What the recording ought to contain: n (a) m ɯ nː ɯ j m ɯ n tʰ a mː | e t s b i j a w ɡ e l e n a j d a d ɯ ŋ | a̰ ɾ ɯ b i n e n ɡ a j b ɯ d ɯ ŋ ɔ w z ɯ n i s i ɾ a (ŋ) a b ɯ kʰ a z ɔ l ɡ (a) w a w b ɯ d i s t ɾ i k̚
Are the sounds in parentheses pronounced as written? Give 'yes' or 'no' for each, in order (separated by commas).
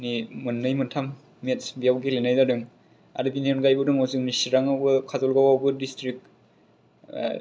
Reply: no, yes, yes